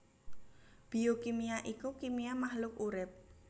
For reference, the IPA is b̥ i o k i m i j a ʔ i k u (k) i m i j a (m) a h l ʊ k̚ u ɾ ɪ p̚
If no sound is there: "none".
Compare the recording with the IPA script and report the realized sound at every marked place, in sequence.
k, m

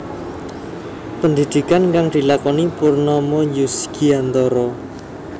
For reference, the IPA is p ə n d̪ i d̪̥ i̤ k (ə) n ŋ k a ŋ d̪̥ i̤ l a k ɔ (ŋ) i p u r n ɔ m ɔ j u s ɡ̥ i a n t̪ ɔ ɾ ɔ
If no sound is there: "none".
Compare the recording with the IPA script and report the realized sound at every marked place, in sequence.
a, n

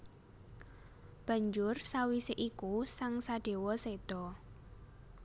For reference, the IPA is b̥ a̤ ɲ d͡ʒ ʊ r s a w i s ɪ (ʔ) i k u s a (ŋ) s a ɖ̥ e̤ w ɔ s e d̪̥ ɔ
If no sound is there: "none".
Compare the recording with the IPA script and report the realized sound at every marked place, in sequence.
ʔ, ŋ

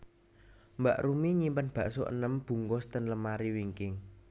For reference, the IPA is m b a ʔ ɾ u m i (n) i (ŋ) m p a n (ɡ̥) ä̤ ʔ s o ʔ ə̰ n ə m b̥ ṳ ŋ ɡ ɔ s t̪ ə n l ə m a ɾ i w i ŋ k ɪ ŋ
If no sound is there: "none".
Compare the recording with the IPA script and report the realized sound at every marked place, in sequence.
ɲ, none, b̥

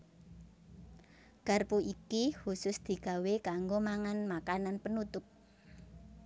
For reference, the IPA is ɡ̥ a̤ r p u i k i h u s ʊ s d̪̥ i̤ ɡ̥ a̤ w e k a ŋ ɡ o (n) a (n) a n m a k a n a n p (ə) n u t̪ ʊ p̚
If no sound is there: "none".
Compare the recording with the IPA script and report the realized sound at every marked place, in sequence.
m, ŋ, ə

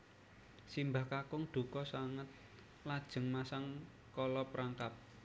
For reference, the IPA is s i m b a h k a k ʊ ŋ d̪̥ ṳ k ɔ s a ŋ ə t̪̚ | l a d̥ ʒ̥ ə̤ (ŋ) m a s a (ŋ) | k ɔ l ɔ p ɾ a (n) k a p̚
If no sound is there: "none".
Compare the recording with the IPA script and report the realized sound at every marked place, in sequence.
ŋ, ŋ, ŋ

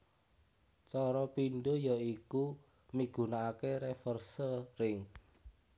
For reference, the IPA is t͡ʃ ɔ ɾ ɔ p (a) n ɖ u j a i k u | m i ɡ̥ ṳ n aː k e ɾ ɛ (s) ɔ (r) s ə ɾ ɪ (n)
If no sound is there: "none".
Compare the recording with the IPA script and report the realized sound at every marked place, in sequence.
i, f, r, ŋ

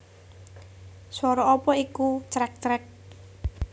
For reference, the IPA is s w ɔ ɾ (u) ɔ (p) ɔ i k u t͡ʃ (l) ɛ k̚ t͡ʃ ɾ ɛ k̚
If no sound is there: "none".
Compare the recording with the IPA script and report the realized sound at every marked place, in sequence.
ɔ, p, ɾ

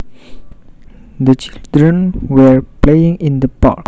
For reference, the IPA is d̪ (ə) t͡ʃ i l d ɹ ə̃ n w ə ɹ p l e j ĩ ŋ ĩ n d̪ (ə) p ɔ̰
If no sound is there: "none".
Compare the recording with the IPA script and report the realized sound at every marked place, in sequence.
ə, ə

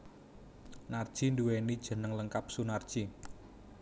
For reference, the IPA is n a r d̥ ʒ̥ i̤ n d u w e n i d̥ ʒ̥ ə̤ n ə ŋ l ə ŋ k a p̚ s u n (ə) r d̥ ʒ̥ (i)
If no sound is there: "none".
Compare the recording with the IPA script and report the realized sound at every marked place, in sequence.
a, i

